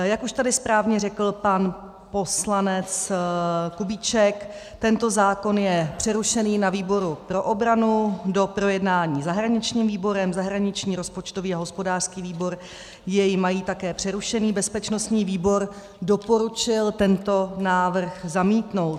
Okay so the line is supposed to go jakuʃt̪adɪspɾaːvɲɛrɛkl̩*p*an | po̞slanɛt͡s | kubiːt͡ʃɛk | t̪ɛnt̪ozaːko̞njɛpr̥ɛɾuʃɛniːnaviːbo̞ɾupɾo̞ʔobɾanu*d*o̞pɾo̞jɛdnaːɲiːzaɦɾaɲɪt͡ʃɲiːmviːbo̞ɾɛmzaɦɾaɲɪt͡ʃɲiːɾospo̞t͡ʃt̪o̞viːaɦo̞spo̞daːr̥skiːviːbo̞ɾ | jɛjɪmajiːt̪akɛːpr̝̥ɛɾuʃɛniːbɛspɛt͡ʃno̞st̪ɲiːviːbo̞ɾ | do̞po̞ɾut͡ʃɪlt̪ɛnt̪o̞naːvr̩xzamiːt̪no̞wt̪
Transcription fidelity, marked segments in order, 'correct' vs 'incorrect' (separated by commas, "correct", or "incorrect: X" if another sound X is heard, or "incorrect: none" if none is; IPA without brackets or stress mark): correct, correct